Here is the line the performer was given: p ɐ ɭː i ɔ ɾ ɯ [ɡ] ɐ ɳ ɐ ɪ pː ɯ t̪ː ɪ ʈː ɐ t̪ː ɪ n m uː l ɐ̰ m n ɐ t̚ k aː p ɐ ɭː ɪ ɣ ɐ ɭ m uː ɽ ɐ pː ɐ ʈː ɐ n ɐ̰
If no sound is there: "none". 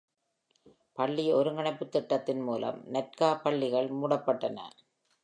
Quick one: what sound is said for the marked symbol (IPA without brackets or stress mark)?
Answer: ŋ